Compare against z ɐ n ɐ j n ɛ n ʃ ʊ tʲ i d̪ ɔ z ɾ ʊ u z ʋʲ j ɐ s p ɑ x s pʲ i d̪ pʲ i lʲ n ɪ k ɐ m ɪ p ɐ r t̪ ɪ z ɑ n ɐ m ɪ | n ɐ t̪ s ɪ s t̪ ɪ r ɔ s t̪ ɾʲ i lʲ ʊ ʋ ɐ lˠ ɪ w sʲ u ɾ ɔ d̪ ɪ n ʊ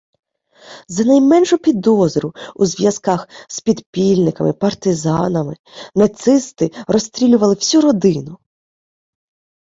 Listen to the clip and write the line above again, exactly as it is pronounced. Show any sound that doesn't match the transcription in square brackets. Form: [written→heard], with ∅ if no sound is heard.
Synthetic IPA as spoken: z ɐ n ɐ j [n→m] ɛ n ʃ ʊ [tʲ→pʲ] i d̪ ɔ z ɾ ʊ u z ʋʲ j ɐ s [p→k] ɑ x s pʲ i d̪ pʲ i lʲ n ɪ k ɐ m ɪ p ɐ r t̪ ɪ z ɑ n ɐ m ɪ | n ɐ t̪ s ɪ s t̪ ɪ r ɔ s t̪ ɾʲ i lʲ ʊ ʋ ɐ lˠ ɪ w sʲ u ɾ ɔ d̪ ɪ n ʊ